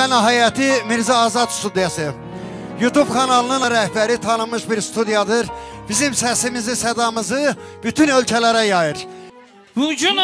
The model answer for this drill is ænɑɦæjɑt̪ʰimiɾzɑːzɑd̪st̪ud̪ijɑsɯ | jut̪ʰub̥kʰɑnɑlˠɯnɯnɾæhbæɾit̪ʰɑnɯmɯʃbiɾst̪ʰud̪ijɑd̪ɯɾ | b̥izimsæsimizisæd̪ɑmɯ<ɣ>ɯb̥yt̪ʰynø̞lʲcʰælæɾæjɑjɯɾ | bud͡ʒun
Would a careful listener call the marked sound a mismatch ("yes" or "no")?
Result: yes